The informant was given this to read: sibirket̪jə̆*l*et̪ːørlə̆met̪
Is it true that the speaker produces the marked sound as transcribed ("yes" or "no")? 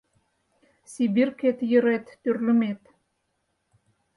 no